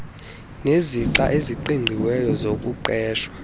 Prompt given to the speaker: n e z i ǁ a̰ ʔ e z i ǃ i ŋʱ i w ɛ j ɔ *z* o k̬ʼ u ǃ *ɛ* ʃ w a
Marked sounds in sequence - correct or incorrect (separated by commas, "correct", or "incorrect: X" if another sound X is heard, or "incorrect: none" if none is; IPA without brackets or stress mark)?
correct, incorrect: ɛː